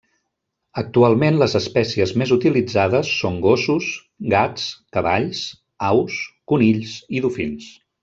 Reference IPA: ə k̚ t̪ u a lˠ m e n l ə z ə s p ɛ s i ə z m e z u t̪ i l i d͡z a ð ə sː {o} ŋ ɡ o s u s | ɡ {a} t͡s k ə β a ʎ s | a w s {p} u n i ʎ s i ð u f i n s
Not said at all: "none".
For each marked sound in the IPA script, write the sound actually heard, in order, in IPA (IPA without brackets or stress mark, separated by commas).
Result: o, a, k